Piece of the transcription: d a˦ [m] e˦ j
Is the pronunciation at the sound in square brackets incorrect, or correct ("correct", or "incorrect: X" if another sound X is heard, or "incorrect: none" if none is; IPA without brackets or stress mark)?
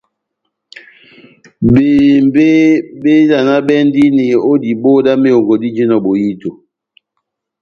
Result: correct